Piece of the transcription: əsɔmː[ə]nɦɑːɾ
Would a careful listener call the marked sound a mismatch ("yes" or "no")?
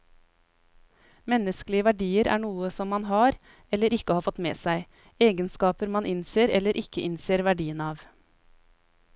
yes